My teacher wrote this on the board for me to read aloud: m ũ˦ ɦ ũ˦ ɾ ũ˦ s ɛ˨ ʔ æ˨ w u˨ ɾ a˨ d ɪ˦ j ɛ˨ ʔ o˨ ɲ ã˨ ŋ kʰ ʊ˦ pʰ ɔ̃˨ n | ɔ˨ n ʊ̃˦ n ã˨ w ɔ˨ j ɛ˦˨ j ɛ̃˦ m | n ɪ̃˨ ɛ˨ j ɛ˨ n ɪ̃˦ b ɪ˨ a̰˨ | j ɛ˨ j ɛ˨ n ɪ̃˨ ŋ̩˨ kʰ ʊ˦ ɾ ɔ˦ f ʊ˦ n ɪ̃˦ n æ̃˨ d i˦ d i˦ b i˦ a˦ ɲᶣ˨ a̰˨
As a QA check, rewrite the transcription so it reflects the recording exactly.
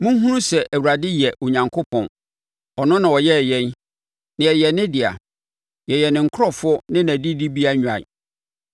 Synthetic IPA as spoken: m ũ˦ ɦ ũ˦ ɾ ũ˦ s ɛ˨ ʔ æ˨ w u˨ ɾ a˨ d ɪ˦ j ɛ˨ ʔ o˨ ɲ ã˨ ŋ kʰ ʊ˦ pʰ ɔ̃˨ n | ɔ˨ n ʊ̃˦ n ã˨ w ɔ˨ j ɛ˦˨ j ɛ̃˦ n | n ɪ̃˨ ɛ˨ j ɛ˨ n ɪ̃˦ d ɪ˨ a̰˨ | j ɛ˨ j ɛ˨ n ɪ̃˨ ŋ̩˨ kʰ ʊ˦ ɾ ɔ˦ f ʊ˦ n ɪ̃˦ n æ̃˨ d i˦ d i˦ b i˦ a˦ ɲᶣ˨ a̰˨